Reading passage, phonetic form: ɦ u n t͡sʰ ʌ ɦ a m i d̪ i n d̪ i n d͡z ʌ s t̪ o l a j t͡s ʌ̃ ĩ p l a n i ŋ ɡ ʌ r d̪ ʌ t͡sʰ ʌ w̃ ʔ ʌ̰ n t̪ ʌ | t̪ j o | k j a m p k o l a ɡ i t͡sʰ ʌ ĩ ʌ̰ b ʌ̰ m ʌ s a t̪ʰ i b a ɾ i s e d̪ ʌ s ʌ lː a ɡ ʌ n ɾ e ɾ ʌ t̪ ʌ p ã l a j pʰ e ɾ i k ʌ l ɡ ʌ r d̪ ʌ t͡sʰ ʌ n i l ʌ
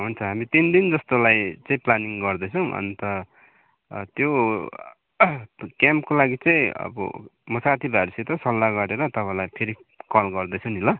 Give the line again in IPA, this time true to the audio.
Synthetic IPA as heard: ɦ u n t͡sʰ ʌ ɦ a m i t̪ i n d̪ i n d͡z ʌ s t̪ o l a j t͡s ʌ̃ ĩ p l a n i ŋ ɡ ʌ r d̪ ʌ t͡sʰ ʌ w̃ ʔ ʌ̰ n t̪ ʌ | t̪ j o | k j a m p k o l a ɡ i t͡s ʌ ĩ ʌ̰ b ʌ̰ m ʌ s a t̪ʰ i b a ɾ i s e t̪ ʌ s ʌ lː a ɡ ʌ ɾ e ɾ ʌ t̪ ʌ p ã l a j pʰ e ɾ i k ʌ l ɡ ʌ r d̪ ʌ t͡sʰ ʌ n i l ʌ